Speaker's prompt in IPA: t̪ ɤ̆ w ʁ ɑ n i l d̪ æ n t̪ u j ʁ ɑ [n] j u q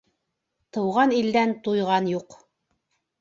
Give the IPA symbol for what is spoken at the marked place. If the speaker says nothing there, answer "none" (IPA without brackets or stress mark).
n